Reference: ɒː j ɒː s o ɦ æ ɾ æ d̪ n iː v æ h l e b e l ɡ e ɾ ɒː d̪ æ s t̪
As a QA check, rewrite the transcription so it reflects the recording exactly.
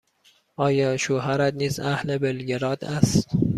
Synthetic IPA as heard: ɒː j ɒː ʃ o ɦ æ ɾ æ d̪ n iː z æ h l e b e l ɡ e ɾ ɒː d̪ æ s t̪